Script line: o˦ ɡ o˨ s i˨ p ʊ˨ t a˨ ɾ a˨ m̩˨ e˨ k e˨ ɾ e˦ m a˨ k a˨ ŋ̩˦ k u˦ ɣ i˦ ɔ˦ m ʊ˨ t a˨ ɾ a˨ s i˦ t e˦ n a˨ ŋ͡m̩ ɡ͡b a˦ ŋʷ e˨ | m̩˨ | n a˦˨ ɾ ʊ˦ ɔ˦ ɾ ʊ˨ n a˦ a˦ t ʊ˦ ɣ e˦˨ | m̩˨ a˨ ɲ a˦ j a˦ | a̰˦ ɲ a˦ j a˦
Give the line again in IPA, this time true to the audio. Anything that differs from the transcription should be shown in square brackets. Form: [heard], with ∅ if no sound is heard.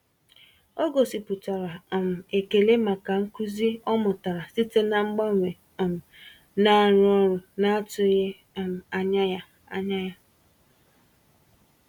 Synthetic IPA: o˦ ɡ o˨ s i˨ p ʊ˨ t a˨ ɾ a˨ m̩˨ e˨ k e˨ [l] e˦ m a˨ k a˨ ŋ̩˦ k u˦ [z] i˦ ɔ˦ m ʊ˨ t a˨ ɾ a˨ s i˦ t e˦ n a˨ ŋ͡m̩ ɡ͡b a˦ ŋʷ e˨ | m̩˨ | n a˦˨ ɾ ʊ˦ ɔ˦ ɾ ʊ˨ n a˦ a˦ t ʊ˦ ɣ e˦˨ | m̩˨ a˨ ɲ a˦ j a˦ | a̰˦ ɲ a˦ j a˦